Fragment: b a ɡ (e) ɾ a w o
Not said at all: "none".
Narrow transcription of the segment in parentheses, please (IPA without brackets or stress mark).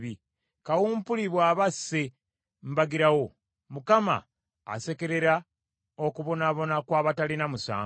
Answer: i